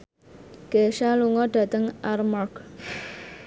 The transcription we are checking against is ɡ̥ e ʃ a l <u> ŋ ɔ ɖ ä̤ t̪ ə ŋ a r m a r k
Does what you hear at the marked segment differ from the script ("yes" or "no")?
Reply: no